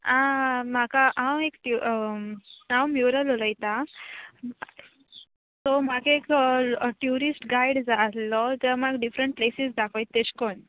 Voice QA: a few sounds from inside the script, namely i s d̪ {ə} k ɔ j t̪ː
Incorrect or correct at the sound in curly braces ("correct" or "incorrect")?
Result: incorrect